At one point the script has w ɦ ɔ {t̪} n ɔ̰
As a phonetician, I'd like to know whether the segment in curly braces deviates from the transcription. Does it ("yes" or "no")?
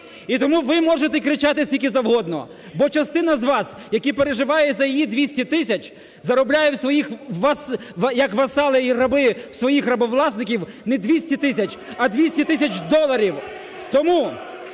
yes